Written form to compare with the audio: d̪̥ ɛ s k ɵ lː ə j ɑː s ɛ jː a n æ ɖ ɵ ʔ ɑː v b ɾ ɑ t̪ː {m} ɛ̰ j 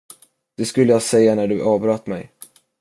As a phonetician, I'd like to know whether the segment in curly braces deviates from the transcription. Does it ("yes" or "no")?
no